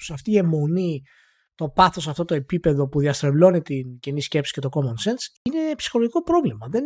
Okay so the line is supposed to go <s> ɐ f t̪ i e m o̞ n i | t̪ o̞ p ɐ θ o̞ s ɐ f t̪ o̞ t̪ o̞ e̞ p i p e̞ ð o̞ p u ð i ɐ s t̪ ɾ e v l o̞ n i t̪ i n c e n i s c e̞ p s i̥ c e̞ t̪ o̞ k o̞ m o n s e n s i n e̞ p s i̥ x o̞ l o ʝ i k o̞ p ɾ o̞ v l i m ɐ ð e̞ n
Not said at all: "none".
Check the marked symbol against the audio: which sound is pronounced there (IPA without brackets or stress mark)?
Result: s